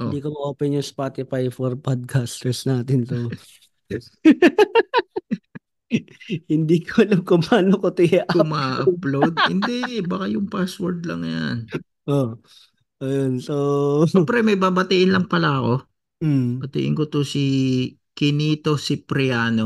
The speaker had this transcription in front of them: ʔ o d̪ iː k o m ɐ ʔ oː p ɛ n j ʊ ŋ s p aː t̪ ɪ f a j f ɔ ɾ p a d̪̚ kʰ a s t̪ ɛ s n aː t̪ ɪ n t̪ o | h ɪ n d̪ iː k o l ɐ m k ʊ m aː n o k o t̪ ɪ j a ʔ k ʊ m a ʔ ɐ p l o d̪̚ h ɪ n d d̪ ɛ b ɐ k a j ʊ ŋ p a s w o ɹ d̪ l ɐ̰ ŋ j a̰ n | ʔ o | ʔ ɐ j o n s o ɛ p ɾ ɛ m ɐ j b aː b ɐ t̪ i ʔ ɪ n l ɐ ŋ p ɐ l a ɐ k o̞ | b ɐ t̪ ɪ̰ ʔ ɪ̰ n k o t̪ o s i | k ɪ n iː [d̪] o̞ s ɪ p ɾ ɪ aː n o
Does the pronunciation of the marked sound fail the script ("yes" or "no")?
yes